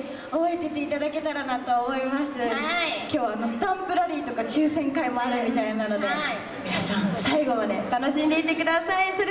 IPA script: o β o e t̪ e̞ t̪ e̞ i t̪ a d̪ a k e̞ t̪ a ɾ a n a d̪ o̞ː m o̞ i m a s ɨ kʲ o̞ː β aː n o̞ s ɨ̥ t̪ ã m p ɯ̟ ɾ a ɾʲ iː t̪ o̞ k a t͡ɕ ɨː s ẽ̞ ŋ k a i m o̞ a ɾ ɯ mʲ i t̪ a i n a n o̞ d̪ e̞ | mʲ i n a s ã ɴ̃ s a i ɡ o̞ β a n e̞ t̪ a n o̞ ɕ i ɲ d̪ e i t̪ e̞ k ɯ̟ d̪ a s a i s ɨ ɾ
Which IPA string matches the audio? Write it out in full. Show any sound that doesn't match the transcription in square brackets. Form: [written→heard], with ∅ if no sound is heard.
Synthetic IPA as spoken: o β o e t̪ e̞ t̪ e̞ i t̪ a d̪ a k e̞ t̪ a ɾ a n a [d̪→t̪] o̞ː m o̞ i m a s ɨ kʲ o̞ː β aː n o̞ s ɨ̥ t̪ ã m p ɯ̟ ɾ a ɾʲ iː t̪ o̞ k a t͡ɕ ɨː s ẽ̞ ŋ k a i m o̞ a ɾ ɯ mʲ i t̪ a i n a n o̞ d̪ e̞ | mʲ i n a s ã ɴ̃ s a i ɡ o̞ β a n e̞ t̪ a n o̞ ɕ i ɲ d̪ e i t̪ e̞ k ɯ̟ d̪ a s a i s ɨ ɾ